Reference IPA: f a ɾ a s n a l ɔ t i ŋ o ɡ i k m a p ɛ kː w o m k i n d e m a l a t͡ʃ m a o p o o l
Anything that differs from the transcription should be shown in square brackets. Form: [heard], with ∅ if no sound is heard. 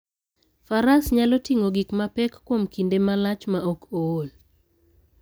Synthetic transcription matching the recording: f a ɾ a s [ɲ] a l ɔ t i ŋ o ɡ i k m a p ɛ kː w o m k i n d e m a l a t͡ʃ m a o [k] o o l